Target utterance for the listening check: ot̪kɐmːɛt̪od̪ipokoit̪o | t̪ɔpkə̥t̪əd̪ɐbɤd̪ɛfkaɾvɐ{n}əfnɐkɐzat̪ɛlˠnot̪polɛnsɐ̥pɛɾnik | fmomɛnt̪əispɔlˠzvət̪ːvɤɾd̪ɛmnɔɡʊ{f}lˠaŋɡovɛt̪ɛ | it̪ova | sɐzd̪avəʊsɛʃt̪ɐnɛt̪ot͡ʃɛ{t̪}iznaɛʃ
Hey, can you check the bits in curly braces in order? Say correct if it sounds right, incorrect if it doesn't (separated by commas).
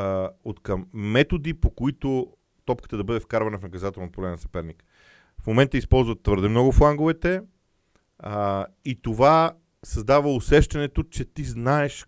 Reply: correct, correct, correct